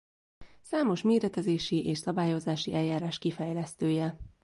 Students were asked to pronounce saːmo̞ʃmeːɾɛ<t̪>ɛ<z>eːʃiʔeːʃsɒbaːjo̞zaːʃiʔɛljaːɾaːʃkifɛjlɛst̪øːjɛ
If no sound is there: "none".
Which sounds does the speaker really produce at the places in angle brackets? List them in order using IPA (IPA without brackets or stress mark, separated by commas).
t̪, z